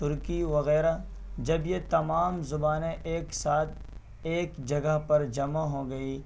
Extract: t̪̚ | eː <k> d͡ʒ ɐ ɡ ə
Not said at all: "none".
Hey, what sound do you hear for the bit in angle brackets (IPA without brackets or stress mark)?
k